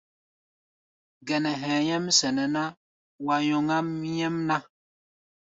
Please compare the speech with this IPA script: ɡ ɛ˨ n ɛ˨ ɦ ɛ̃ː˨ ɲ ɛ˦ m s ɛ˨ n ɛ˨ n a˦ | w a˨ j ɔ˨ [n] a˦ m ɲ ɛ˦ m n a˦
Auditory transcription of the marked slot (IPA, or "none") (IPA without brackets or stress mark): ŋ